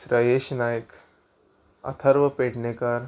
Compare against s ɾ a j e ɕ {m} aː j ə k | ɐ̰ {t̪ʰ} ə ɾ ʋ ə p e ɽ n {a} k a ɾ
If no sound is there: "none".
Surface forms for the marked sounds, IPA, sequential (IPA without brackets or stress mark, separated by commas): n, t̪ʰ, e